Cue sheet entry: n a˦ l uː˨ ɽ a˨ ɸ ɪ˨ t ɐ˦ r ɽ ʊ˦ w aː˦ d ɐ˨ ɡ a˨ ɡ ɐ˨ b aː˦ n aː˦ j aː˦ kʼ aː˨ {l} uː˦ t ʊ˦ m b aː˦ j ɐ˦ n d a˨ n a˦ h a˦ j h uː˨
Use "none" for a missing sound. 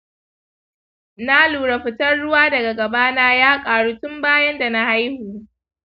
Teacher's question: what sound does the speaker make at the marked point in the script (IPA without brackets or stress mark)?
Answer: ɽ